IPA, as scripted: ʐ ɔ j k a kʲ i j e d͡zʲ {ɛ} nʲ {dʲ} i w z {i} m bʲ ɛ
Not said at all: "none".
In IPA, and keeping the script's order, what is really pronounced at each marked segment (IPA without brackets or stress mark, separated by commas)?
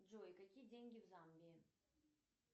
e, ɡʲ, a